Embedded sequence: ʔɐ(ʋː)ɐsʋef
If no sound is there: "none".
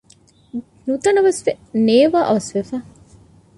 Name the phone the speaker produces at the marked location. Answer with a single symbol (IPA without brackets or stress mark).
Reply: ʋ